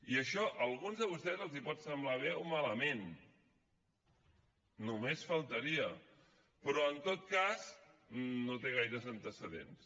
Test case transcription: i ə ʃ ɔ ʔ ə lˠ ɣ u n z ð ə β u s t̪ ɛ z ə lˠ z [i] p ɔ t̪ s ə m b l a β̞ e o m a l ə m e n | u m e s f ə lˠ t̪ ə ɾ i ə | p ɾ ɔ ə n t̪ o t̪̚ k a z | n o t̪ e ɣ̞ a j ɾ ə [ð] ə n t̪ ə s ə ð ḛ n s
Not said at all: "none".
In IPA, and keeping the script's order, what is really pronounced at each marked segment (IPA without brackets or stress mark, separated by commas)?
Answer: i, z